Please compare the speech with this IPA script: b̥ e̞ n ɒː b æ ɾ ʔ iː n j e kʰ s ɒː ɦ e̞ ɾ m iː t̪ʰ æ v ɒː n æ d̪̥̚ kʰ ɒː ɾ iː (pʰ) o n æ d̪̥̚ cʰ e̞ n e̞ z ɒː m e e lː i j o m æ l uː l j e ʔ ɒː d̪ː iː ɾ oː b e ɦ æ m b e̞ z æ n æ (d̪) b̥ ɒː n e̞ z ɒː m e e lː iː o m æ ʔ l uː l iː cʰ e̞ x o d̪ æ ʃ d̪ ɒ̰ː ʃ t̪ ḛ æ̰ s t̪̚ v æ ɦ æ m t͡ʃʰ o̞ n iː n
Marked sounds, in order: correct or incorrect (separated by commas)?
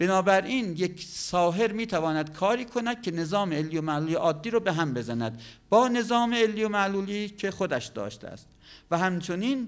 incorrect, correct